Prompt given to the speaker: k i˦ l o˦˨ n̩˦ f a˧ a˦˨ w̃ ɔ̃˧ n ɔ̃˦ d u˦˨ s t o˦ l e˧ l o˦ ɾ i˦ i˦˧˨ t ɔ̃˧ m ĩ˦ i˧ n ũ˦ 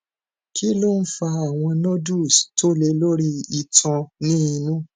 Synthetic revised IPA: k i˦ l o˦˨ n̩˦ f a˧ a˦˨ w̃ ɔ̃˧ n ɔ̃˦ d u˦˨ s t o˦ l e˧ l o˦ ɾ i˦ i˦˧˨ t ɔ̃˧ n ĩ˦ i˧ n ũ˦